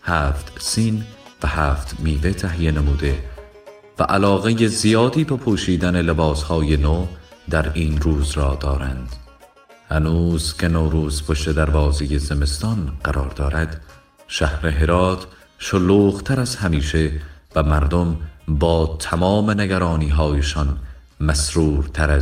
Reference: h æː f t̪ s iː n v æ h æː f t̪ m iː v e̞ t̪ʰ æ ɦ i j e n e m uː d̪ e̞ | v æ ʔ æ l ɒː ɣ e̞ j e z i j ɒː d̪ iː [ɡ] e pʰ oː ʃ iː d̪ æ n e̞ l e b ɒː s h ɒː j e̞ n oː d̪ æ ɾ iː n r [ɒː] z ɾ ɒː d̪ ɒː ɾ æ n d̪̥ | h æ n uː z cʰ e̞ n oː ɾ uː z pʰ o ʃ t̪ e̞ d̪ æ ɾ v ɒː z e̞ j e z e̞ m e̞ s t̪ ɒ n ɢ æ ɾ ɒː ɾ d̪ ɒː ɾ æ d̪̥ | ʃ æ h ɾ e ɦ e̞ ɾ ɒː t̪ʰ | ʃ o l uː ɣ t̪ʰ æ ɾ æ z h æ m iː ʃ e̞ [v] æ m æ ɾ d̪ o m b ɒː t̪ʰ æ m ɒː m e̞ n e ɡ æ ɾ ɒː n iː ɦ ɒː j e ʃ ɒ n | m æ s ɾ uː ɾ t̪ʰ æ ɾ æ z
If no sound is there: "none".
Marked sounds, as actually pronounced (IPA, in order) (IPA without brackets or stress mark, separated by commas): b, uː, v